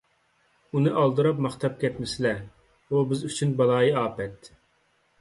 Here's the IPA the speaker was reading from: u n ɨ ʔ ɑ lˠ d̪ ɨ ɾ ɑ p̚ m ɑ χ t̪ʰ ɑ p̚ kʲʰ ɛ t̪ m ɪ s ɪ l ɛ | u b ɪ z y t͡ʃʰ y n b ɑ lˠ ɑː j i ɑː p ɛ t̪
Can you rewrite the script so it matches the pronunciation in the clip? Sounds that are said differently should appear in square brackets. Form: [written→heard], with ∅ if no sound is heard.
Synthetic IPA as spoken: u n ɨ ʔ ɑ lˠ d̪ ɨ ɾ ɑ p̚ m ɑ χ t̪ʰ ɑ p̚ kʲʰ ɛ t̪ m ɪ s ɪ l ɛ | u b ɪ z y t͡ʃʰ y n b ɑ lˠ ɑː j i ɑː p ɛ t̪